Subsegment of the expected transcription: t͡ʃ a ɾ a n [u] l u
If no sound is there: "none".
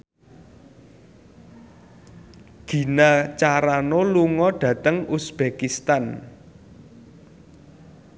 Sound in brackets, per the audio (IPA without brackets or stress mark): o